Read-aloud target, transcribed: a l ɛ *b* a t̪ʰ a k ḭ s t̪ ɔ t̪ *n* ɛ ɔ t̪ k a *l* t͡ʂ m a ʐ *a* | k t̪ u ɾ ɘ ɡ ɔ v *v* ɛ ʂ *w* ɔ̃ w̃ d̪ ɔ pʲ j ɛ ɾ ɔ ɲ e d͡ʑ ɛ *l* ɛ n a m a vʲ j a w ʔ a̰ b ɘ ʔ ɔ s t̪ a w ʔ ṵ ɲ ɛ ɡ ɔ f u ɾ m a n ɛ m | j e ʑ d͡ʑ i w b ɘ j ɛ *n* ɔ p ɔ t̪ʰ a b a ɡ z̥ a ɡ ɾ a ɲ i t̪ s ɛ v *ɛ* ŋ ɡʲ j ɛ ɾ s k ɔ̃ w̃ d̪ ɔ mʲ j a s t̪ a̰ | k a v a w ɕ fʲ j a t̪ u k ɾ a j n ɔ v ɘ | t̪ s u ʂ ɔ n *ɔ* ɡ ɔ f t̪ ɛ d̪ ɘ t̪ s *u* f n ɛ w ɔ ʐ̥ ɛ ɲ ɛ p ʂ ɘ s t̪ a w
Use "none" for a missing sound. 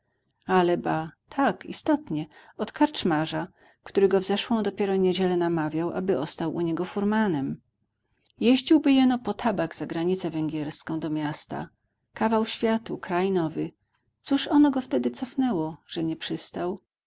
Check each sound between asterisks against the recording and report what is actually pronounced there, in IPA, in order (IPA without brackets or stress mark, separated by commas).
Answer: b, ɲ, ɾ, a, z, w, l, n, ɛ, ɔ, ɔ